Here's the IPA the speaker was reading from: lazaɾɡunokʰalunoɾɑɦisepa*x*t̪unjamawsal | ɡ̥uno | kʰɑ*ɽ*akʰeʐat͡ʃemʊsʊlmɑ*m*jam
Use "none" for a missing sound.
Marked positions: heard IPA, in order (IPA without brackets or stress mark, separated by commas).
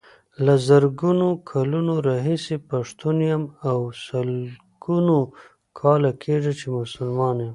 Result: ʂ, l, n